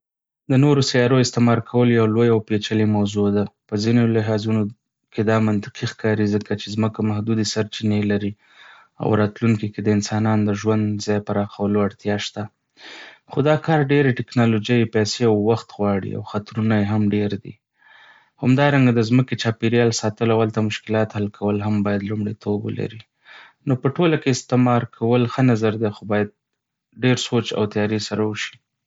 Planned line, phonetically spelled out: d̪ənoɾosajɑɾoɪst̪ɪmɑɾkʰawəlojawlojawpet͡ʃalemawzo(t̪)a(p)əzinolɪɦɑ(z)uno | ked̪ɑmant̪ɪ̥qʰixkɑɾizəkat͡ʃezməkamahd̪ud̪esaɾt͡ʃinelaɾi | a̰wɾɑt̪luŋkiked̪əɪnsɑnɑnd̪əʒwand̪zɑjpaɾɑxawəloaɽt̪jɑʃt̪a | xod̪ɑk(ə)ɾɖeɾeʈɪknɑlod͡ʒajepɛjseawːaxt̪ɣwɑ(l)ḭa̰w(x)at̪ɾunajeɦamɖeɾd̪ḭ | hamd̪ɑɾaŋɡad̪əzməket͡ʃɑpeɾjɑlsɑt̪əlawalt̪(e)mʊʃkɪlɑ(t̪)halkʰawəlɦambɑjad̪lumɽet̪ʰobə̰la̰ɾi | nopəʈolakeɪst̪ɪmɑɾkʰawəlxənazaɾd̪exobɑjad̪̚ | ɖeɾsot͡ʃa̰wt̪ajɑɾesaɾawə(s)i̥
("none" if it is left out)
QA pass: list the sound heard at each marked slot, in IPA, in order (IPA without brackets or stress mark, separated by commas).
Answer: d̪, p, z, ɑ, ɽ, x, a, t̪, ʃ